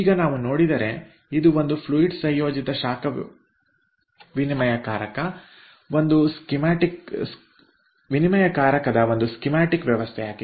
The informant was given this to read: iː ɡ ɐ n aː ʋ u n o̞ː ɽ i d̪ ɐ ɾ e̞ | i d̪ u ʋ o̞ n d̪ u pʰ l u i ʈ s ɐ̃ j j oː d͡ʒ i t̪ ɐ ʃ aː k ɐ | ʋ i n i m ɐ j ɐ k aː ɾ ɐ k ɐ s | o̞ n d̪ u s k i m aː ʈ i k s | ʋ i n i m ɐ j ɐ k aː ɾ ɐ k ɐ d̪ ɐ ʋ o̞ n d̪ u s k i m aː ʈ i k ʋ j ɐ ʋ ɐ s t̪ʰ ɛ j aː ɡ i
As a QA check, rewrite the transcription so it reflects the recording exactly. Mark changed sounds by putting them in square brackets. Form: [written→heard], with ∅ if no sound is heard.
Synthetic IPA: iː ɡ ɐ n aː ʋ u n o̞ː ɽ i d̪ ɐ ɾ e̞ | i d̪ u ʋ o̞ n d̪ u pʰ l u i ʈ s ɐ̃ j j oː d͡ʒ i t̪ ɐ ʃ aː k ɐ | ʋ i n i m ɐ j ɐ k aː ɾ ɐ k ɐ [s→∅] | o̞ n d̪ u s k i m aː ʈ i k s | ʋ i n i m ɐ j ɐ k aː ɾ ɐ k ɐ d̪ ɐ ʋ o̞ n d̪ u s k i m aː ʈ i k ʋ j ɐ ʋ ɐ s t̪ʰ ɛ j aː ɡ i